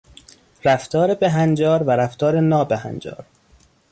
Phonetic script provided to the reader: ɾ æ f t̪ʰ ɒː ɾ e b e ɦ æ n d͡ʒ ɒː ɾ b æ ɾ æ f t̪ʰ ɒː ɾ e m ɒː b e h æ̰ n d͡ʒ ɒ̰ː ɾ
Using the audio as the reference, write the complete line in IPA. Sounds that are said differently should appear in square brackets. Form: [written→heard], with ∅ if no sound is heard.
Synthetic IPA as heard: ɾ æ f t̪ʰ ɒː ɾ e b e ɦ æ n d͡ʒ ɒː ɾ [b→v] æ ɾ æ f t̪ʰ ɒː ɾ e [m→n] ɒː b e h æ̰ n d͡ʒ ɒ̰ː ɾ